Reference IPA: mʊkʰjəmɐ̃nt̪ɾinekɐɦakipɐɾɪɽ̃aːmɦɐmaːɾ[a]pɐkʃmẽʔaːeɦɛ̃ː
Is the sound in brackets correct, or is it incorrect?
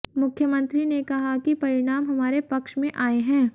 incorrect